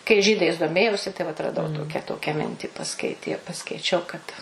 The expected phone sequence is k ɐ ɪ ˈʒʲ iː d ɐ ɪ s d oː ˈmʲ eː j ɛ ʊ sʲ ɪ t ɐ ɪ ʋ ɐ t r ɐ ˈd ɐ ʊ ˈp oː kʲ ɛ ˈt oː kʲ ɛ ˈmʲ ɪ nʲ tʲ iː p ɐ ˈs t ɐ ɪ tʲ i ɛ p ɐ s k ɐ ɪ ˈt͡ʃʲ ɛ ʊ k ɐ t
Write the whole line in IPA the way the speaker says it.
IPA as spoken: k ɐ ɪ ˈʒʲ iː d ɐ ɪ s d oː ˈmʲ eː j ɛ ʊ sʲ ɪ t ɐ ɪ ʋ ɐ t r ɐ ˈd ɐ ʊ ˈt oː kʲ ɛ ˈt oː kʲ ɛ ˈmʲ ɪ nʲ tʲ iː p ɐ ˈs k ɐ ɪ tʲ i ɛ p ɐ s k ɐ ɪ ˈt͡ʃʲ ɛ ʊ k ɐ t